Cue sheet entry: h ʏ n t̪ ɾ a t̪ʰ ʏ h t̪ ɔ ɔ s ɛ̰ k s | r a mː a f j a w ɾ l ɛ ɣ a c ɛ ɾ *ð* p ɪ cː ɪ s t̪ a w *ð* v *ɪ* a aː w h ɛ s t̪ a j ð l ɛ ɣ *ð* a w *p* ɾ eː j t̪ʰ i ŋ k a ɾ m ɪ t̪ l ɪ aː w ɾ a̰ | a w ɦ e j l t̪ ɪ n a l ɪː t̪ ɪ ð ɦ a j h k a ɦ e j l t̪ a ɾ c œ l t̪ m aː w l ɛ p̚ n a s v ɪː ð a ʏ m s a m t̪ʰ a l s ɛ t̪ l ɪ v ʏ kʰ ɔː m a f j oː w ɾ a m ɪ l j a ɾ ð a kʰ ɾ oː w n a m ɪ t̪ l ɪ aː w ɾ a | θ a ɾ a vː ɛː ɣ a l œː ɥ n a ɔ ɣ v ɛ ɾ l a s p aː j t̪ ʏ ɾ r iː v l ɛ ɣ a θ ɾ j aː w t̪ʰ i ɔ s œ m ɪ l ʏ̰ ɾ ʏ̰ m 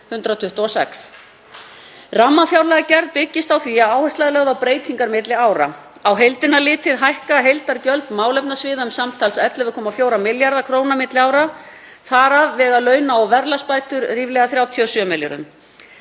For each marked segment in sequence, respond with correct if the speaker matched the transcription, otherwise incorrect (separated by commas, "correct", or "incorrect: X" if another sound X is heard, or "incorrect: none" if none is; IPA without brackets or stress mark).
correct, incorrect: θ, incorrect: i, correct, correct